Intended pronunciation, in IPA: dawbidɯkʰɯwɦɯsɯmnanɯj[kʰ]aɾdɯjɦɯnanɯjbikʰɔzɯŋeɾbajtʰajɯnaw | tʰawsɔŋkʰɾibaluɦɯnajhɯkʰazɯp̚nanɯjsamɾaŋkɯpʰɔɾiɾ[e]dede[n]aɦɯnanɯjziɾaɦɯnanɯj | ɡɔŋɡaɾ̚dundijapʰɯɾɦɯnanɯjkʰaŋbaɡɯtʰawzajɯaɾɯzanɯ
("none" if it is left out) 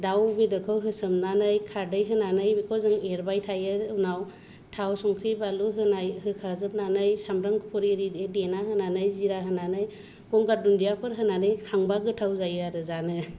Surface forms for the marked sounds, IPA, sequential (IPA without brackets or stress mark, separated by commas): kʰ, i, n